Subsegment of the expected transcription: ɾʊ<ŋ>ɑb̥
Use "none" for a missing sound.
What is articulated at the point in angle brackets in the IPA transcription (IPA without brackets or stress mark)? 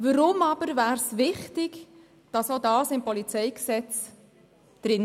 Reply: m